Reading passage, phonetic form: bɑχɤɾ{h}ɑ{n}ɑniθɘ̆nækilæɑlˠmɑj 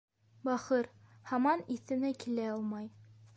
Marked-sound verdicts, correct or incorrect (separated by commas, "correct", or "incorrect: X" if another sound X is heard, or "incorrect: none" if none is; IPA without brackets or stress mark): correct, incorrect: m